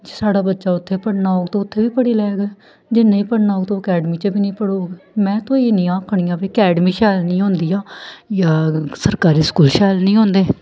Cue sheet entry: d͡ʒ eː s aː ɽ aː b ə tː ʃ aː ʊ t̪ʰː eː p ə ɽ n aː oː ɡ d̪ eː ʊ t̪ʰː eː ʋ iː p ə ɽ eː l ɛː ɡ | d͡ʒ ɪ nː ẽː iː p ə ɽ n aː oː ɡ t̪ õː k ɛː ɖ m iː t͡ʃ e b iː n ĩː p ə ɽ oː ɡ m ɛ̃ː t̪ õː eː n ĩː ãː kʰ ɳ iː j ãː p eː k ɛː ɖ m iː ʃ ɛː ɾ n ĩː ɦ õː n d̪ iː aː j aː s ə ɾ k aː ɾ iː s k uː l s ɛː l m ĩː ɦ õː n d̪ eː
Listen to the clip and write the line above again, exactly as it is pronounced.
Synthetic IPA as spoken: d͡ʒ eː s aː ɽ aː b ə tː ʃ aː ʊ t̪ʰː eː p ə ɽ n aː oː ɡ t̪ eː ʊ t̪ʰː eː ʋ iː p ə ɽ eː l ɛː ɡ | d͡ʒ ɪ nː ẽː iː p ə ɽ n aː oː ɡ t̪ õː k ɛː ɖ m iː t͡ʃ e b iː n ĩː p ə ɽ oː ɡ m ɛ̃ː t̪ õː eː n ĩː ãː kʰ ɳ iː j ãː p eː k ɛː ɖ m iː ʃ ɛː l n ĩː ɦ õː n d̪ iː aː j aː s ə ɾ k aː ɾ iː s k uː l ʃ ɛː l n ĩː ɦ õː n d̪ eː